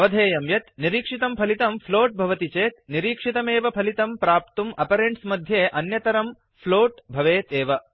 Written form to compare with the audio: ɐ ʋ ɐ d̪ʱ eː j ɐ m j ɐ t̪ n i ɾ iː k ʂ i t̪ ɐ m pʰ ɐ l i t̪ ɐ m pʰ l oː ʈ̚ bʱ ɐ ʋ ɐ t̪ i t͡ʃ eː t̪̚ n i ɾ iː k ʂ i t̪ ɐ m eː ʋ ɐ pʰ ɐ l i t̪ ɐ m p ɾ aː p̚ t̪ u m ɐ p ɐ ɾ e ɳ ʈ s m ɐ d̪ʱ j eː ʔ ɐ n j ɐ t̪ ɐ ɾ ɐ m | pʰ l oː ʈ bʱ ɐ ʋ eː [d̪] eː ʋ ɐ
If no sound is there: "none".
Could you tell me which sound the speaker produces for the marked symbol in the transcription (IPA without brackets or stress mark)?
t̪